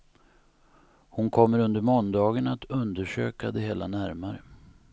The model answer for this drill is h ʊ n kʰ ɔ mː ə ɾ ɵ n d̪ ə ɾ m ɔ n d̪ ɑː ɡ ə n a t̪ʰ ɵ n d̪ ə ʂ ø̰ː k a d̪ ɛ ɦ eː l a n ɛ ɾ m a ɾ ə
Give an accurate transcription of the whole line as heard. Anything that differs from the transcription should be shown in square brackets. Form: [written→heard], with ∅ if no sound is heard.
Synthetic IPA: h ʊ n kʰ ɔ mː ə ɾ ɵ n d̪ ə ɾ m ɔ n d̪ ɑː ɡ ə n a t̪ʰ ɵ n d̪ ə ʂ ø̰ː k a d̪ ɛ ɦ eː l a n [ɛ→æ] ɾ m a ɾ ə